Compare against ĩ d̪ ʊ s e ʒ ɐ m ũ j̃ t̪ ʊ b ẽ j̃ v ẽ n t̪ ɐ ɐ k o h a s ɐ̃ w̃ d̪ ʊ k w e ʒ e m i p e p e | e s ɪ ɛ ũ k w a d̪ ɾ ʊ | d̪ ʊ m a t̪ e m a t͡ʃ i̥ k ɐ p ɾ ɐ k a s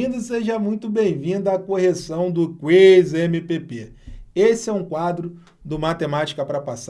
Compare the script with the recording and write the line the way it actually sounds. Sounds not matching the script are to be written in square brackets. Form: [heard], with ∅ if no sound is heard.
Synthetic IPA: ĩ d̪ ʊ s e ʒ ɐ m ũ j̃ t̪ ʊ b ẽ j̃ v [ĩ] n [d̪] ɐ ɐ k o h [e] s ɐ̃ w̃ d̪ ʊ k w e [z] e m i p e p e | e s ɪ ɛ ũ k w a d̪ ɾ ʊ | d̪ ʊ m a t̪ e m a t͡ʃ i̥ k ɐ p ɾ ɐ [p] a s